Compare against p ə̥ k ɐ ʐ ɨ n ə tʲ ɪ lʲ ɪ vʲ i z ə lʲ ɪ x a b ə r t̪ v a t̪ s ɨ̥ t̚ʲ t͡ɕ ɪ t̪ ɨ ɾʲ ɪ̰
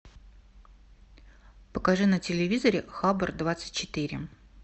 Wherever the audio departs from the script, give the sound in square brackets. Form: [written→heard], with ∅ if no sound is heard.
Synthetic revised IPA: p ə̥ k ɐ ʐ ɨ n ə tʲ ɪ lʲ ɪ vʲ i z ə [lʲ→ɾʲ] ɪ x a b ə r [t̪→d̪] v a t̪ s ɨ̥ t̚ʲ t͡ɕ ɪ t̪ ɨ ɾʲ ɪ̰

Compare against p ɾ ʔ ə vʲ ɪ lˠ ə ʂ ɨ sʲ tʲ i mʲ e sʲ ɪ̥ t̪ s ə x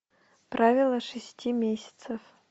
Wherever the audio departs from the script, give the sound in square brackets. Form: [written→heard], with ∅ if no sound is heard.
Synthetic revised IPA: p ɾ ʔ [ə→a] vʲ ɪ lˠ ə ʂ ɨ sʲ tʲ i mʲ e sʲ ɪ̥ t̪ s ə [x→f]

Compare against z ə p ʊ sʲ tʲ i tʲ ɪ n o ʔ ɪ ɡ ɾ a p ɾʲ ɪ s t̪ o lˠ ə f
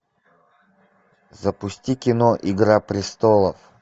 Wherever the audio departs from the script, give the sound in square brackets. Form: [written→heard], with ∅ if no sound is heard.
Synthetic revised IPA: z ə p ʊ sʲ tʲ i [tʲ→kʲ] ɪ n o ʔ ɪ ɡ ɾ a p ɾʲ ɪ s t̪ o lˠ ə f

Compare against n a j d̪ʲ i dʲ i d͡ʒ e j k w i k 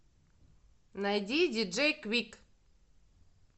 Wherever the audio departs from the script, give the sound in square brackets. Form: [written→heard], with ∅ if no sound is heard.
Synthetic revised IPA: n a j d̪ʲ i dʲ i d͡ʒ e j k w i k

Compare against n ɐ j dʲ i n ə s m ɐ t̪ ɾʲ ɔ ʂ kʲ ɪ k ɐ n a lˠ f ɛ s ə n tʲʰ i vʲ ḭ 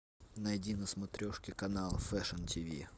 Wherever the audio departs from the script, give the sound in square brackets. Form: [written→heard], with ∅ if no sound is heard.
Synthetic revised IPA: n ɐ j dʲ i n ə s m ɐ t̪ ɾʲ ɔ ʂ kʲ ɪ k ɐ n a lˠ f ɛ [s→ʂ] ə n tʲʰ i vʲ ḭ

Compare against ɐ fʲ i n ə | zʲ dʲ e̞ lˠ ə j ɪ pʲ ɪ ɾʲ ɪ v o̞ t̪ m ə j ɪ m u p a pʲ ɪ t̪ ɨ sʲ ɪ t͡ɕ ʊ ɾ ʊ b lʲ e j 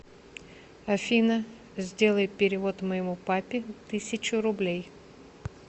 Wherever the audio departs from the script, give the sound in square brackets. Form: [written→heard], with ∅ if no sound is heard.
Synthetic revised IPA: ɐ fʲ i n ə | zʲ dʲ e̞ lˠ ə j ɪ pʲ ɪ ɾʲ ɪ v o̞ t̪ m ə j ɪ m u p a pʲ ɪ t̪ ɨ sʲ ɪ t͡ɕ ʊ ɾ ʊ b lʲ e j

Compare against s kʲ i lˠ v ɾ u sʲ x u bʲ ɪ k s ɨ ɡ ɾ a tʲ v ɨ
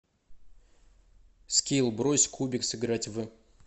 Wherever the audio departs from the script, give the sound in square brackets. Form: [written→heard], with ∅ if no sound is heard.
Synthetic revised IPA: s kʲ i lˠ [v→b] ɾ [u→o] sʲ [x→k] u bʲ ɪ k s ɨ ɡ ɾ a tʲ v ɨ

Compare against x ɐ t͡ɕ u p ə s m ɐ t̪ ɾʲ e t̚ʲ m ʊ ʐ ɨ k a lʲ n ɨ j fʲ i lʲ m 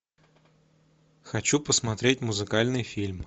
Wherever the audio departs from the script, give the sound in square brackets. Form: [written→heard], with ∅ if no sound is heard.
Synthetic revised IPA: x ɐ t͡ɕ u p ə s m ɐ t̪ ɾʲ e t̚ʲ m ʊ [ʐ→z] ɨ k a lʲ n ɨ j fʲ i lʲ m

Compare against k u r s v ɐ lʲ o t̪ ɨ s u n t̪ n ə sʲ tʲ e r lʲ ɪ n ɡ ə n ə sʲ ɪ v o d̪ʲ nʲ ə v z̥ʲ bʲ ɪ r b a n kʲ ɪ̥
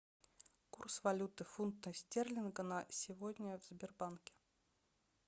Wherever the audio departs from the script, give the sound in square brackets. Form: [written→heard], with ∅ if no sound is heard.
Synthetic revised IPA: k u r s v ɐ lʲ [o→u] t̪ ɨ [s→f] u n t̪ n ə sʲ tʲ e r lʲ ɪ n ɡ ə n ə sʲ ɪ v o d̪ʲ nʲ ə v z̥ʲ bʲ ɪ r b a n kʲ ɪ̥

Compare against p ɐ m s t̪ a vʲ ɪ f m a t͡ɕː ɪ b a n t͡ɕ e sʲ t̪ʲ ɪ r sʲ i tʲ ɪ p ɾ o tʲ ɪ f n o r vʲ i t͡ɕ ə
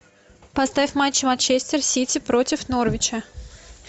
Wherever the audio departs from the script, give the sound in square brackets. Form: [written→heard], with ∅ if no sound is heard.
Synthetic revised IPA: p ɐ [m→∅] s t̪ a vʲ ɪ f m a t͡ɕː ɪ [b→m] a n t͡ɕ e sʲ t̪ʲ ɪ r sʲ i tʲ ɪ p ɾ o tʲ ɪ f n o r vʲ [i→ɪ] t͡ɕ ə

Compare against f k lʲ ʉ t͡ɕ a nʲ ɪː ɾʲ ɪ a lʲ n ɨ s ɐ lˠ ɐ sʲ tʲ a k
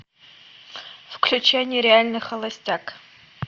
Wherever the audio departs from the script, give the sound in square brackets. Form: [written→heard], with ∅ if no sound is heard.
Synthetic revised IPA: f k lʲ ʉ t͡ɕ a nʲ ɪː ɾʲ ɪ a lʲ n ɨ [s→x] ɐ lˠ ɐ sʲ tʲ a k

